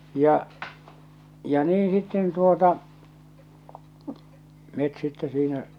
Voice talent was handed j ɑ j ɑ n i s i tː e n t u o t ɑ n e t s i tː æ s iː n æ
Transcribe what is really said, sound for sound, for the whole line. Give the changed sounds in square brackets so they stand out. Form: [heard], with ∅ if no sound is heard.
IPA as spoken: j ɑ j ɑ n [iː] s i tː e n t u o t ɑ [m] e t s i tː [e] s iː n æ